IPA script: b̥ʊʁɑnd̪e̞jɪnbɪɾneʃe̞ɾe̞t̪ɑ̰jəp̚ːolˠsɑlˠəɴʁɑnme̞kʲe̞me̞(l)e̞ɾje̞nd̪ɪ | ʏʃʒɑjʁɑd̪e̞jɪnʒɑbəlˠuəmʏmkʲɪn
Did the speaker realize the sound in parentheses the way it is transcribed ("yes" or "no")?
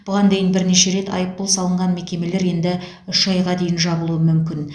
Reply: yes